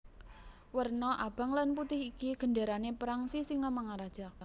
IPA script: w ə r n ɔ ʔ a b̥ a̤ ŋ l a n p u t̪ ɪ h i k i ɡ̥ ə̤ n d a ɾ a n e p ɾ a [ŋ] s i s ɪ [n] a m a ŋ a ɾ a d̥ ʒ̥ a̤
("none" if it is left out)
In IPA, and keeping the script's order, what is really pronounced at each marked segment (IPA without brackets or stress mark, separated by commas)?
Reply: ŋ, ŋ